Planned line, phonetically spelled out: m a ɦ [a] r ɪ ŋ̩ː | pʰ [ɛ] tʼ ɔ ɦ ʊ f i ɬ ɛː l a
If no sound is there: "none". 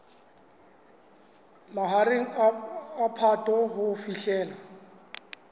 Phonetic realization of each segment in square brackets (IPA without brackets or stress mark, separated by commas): a, a